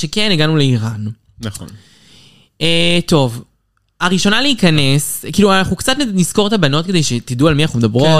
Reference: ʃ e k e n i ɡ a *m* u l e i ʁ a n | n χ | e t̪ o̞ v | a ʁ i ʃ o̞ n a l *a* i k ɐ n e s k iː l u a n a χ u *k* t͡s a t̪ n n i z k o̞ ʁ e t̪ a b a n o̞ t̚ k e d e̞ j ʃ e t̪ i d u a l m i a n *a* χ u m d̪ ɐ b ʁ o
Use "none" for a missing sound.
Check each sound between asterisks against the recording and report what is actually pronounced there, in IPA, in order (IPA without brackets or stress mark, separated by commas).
n, e, k, a